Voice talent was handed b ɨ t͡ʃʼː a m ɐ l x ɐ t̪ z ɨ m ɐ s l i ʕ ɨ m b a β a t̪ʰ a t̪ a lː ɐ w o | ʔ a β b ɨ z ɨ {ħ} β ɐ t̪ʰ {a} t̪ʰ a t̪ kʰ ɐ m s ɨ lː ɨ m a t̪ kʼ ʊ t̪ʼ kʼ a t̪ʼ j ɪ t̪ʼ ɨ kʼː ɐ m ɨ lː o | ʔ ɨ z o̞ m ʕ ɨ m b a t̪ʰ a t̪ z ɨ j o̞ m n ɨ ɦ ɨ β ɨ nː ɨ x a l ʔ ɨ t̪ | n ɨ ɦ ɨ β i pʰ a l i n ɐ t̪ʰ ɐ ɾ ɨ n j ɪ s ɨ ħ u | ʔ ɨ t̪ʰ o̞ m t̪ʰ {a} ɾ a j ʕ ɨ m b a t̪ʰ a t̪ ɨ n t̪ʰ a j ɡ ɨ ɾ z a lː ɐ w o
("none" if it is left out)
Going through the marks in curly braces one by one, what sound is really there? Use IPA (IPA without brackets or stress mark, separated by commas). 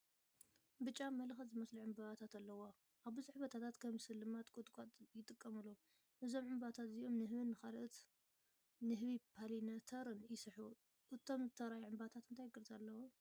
ħ, a, ɐ